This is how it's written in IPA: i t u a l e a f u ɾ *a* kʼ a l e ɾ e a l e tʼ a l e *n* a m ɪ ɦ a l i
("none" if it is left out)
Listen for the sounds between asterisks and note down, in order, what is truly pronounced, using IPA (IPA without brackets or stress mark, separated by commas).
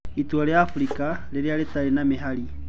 i, n